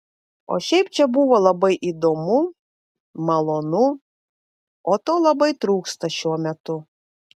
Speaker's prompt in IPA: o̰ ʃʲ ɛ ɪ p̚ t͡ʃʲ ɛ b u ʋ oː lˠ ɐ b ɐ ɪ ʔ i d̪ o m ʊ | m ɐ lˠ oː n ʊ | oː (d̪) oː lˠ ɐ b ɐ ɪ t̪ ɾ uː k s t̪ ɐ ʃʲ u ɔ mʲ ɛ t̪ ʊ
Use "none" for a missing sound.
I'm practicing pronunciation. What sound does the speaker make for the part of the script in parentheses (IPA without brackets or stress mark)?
t̪